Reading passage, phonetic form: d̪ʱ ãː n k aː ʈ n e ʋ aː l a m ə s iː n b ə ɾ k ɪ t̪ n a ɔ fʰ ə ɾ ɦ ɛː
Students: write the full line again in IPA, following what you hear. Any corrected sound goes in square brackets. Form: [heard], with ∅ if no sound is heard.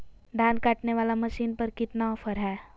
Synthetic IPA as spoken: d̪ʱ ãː n k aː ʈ n e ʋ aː l a m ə [ʃ] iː n [p] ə ɾ k ɪ t̪ n a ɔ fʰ ə ɾ ɦ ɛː

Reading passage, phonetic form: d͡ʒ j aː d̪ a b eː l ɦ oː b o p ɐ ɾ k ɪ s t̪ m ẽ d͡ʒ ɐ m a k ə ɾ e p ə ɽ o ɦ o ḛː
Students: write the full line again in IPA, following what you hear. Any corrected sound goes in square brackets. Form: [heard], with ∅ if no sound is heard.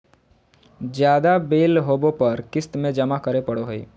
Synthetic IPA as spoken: d͡ʒ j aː d̪ a b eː l ɦ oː b o p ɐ ɾ k ɪ s t̪ m ẽ d͡ʒ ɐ m a k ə ɾ e p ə ɽ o ɦ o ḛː

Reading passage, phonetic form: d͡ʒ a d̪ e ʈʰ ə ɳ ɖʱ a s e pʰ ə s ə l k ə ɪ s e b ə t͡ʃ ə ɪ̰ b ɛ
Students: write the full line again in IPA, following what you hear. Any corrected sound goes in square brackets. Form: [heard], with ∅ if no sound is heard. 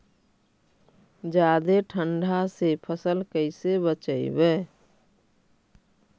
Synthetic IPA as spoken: d͡ʒ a d̪ e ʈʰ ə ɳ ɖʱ a s e pʰ ə s ə l k ə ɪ s e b ə t͡ʃ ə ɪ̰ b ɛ

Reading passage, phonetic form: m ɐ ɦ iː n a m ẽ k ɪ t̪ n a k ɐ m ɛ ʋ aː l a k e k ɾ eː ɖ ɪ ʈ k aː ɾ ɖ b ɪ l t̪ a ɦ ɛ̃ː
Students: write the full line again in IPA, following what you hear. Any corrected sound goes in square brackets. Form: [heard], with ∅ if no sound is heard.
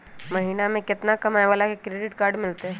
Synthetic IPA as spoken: m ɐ ɦ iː n a m ẽ k ɪ t̪ n a k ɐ m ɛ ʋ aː l a k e k ɾ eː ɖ ɪ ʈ k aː ɾ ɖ [m] ɪ l t̪ [e] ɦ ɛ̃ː

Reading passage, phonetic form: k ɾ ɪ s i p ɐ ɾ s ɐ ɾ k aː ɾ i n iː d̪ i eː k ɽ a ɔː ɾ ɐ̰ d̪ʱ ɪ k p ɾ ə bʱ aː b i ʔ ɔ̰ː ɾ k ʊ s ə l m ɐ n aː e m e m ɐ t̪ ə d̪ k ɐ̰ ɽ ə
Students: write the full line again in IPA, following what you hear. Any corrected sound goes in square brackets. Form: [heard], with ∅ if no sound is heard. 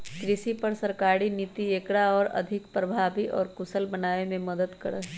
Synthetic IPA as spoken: k ɾ ɪ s i p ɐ ɾ s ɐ ɾ k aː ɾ i n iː [t̪] i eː k ɽ a ɔː ɾ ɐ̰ d̪ʱ ɪ k p ɾ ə bʱ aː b i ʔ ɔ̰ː ɾ k ʊ s ə l [b] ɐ n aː e m [ẽ] m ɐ [d̪] ə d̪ k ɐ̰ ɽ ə

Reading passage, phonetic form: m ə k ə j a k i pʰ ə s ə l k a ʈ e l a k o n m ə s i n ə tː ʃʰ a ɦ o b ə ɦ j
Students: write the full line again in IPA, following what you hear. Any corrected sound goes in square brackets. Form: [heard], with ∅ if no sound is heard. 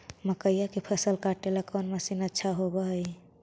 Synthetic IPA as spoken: m ə k ə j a k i pʰ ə s ə l k a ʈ e l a k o n m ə s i n ə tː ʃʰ a ɦ o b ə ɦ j

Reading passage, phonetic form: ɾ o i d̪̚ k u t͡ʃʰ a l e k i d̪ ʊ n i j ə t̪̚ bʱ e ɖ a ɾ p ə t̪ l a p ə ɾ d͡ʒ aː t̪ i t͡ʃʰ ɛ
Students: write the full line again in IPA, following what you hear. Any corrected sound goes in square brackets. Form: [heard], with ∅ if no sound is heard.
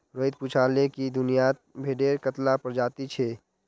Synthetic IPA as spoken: ɾ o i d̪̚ [p] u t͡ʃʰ a l e k i d̪ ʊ n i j [a] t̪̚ bʱ e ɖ [e] ɾ [k] ə t̪ l a p ə ɾ d͡ʒ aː t̪ i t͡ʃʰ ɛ

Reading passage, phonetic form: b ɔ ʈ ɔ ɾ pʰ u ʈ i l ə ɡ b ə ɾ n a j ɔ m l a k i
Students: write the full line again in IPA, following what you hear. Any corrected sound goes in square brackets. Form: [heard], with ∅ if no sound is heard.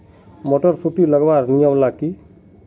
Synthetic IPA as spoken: [m] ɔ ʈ ɔ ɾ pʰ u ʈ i l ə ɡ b [a] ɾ n [i] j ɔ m l a k i

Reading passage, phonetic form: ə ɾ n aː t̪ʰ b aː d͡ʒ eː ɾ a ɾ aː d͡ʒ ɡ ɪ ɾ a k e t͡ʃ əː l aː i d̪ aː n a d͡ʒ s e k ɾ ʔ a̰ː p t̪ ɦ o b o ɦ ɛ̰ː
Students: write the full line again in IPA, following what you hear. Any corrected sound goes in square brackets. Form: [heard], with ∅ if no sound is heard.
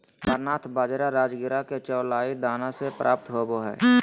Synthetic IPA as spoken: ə ɾ n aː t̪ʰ b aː d͡ʒ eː ɾ a ɾ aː d͡ʒ ɡ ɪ ɾ a k e t͡ʃ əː l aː i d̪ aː n a [∅] s e [p] ɾ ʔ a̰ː p t̪ ɦ o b o ɦ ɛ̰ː

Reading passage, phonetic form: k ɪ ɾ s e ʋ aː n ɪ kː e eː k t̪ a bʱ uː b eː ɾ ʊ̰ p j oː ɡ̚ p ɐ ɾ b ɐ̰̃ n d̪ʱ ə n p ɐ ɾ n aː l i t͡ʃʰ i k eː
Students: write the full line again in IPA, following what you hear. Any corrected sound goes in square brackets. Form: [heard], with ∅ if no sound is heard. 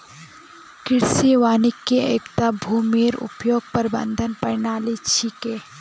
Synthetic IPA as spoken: k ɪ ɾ s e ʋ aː n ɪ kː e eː k t̪ a bʱ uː [m] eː ɾ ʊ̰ p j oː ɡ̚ p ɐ ɾ b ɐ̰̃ n d̪ʱ ə n p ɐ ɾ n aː l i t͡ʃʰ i k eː

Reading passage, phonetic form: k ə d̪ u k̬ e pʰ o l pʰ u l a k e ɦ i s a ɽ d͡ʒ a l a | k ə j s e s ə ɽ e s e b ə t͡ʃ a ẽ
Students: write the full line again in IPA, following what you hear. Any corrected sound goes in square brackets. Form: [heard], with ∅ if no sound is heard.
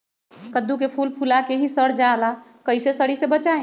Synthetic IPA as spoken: k ə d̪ u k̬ e pʰ [u] l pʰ u l a k e ɦ i s [ə] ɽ d͡ʒ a l a | k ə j s e s ə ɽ [i] s e b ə t͡ʃ a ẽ

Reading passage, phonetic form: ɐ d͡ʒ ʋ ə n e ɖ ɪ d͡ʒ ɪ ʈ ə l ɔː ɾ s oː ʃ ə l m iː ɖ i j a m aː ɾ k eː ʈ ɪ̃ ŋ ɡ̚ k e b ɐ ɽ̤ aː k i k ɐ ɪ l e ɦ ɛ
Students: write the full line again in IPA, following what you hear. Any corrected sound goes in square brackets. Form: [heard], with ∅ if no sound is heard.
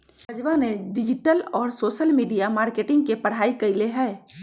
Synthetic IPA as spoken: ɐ d͡ʒ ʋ [a] n e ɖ ɪ d͡ʒ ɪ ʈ ə l ɔː ɾ s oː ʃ ə l m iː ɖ i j a m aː ɾ k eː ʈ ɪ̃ ŋ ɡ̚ k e [p] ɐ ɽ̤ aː [∅] i k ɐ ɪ l e ɦ [ɛː]

